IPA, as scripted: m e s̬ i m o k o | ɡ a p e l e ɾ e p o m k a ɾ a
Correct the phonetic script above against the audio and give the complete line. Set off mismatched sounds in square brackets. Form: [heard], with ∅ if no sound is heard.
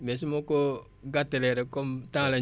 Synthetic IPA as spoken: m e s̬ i m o k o | ɡ a [t] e l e ɾ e [k] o m [t] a [l] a